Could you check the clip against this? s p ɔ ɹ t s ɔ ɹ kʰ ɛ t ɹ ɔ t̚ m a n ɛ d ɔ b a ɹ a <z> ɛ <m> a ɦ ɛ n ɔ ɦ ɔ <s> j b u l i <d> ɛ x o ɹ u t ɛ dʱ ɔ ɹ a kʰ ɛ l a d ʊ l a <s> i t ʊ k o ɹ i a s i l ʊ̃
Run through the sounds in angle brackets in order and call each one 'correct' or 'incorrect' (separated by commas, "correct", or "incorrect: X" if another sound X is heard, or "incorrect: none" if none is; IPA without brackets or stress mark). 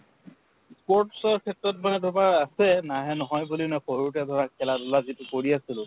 incorrect: s, incorrect: n, incorrect: none, incorrect: n, incorrect: z